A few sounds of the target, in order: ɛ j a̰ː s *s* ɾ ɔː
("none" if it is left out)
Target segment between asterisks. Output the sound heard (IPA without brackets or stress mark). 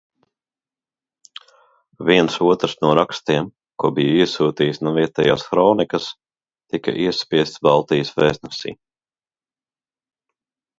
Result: x